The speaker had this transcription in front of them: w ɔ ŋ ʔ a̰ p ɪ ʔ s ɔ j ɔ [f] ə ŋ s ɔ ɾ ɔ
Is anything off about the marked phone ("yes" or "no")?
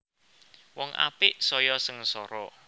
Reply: yes